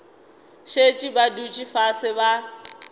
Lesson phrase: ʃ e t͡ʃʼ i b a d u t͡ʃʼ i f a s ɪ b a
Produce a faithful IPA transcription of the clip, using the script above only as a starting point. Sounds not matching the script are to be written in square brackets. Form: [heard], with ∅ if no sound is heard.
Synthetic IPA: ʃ e t͡ʃʼ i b a d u t͡ʃʼ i f a s ɪ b a